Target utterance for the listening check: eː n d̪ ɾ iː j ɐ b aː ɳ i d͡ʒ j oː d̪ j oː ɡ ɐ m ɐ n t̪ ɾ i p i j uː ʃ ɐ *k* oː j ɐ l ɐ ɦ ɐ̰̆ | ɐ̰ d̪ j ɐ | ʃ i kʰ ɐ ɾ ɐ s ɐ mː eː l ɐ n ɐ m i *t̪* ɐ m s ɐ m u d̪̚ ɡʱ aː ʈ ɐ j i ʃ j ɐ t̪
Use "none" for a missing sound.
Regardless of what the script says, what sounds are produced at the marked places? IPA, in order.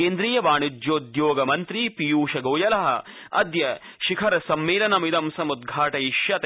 ɡ, d̪

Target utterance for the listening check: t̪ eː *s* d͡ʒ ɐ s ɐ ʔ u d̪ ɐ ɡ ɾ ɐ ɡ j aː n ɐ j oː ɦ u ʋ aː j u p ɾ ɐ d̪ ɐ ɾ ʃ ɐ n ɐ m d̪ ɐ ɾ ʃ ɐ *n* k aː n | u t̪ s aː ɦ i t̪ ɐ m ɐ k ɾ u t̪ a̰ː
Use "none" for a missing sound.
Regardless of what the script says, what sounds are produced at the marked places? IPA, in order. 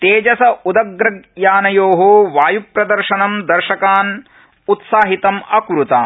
none, none

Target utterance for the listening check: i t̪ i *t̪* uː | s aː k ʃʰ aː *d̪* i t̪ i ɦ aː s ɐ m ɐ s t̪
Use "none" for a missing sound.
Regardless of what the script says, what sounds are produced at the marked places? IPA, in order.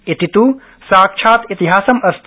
t̪, t̪

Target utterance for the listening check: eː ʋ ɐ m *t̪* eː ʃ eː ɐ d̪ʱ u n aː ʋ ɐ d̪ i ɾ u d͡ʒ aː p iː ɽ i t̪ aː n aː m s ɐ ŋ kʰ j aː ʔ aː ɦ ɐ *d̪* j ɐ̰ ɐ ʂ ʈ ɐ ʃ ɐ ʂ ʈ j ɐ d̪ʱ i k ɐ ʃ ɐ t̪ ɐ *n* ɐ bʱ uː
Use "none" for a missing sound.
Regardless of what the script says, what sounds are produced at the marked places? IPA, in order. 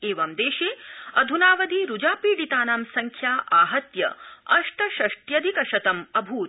d̪, t̪, m

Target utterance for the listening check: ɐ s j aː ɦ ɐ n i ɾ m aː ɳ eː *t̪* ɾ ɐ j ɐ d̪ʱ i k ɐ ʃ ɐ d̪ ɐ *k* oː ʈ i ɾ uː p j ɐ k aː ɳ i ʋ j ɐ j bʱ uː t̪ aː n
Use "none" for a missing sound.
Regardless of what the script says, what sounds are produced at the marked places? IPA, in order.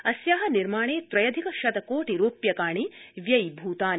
t̪, k

